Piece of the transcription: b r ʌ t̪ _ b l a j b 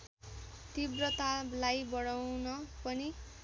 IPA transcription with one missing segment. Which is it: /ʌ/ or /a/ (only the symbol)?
a